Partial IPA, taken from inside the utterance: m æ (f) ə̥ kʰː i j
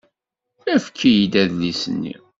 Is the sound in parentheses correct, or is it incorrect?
correct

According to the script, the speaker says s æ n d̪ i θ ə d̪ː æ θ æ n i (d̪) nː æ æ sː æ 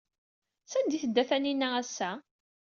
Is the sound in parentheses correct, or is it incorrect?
incorrect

